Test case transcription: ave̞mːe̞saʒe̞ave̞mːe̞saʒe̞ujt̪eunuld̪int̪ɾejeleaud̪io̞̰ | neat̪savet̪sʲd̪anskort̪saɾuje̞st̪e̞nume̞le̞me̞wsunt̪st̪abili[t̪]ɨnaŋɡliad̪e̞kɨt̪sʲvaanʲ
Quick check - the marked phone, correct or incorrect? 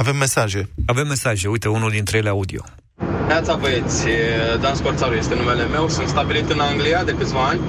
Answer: correct